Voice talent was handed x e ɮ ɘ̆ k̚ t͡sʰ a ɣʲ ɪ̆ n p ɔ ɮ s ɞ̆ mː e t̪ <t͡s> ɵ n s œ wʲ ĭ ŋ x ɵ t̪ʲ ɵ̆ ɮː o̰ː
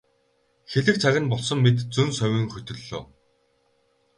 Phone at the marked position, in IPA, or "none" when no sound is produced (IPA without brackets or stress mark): t͡s